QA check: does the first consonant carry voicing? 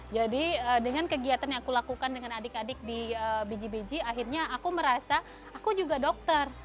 yes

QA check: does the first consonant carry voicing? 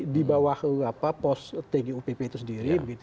yes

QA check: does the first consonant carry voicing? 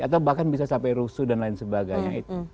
no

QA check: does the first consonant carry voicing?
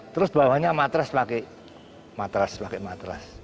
no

